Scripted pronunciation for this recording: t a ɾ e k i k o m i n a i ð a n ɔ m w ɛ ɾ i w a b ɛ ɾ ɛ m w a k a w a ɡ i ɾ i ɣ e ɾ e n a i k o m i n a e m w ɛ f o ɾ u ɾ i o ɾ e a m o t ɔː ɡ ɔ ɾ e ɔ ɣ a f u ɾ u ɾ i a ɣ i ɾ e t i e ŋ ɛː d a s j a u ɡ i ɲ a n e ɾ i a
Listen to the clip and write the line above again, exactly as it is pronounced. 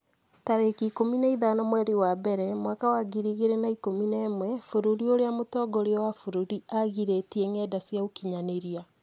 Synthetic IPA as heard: t a ɾ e k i k o m i n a i ð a n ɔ m w ɛ ɾ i w a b ɛ ɾ ɛ m w a k a w a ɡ i ɾ i ɣ e ɾ e n a i k o m i n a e m w ɛ f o ɾ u ɾ i o ɾ e a m o t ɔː ɡ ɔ ɾ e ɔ w a f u ɾ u ɾ i a ɣ i ɾ e t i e ŋ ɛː d a s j a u k i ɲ a n e ɾ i a